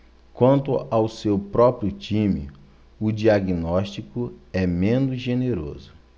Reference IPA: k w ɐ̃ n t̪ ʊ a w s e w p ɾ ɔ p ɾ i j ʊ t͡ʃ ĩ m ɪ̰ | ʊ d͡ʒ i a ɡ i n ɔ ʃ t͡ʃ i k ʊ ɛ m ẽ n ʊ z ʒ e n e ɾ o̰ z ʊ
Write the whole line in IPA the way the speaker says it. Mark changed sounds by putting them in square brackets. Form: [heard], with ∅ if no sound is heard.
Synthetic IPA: k w ɐ̃ n t̪ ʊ a w s e w p ɾ ɔ p ɾ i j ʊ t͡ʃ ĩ m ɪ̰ | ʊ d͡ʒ i a ɡ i n ɔ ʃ t͡ʃ i k ʊ ɛ m ẽ n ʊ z ʒ e n e ɾ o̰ z ʊ